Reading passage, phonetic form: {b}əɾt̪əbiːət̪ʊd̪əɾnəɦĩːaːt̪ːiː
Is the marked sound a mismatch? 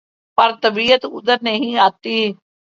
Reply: yes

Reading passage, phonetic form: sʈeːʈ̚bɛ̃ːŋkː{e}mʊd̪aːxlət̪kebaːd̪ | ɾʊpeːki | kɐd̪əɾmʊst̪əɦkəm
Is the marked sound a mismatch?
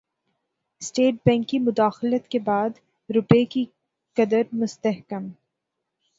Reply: yes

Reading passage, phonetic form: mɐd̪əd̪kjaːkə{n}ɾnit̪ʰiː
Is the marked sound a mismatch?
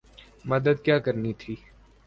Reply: yes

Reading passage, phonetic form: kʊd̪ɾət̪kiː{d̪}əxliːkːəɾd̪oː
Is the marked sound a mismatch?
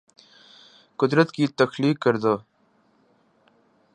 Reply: yes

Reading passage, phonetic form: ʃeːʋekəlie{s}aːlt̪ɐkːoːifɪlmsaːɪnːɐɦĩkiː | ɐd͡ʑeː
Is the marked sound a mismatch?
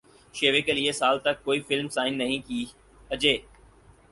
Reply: no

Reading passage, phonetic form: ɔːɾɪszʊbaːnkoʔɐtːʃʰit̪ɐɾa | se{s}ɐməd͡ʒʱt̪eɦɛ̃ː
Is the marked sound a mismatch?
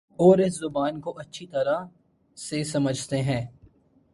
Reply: no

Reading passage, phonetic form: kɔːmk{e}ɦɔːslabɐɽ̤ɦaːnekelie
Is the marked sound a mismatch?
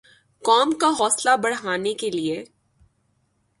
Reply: yes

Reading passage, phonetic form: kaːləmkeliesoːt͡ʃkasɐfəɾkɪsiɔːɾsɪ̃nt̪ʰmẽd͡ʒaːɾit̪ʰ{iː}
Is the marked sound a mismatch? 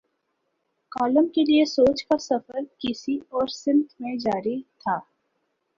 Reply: yes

